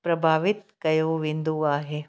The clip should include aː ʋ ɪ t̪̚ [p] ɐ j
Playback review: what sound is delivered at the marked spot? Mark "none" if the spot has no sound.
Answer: k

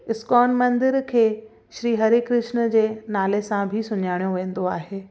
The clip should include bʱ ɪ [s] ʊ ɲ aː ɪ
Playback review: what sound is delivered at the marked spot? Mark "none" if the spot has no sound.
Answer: s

